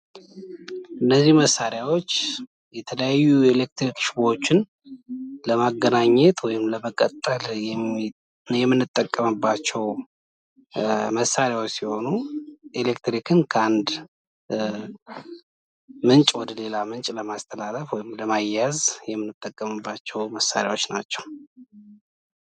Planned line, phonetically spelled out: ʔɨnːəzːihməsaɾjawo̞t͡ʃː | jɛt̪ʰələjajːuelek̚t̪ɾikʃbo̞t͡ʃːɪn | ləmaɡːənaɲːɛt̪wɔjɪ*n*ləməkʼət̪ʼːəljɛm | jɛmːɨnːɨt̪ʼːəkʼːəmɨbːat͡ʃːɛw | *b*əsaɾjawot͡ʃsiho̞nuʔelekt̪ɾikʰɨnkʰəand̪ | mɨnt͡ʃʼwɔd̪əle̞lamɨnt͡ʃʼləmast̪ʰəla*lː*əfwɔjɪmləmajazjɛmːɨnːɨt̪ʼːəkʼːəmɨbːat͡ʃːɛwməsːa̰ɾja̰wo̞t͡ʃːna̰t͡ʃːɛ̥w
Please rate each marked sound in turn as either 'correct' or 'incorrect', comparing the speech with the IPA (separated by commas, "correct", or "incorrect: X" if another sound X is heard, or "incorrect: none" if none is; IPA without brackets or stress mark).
incorrect: m, incorrect: m, incorrect: l